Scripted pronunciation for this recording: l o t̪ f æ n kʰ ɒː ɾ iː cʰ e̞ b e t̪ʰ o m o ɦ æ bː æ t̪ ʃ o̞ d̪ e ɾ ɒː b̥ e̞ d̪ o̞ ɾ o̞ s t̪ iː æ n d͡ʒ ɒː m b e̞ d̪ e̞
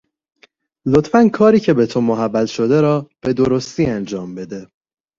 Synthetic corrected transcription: l o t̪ f æ n kʰ ɒː ɾ iː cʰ e̞ b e t̪ʰ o m o ɦ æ bː æ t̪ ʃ o̞ d̪ e ɾ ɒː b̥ e̞ d̪ o̞ ɾ o̞ s t̪ iː æ n d͡ʒ ɒː m b e̞ d̪ e̞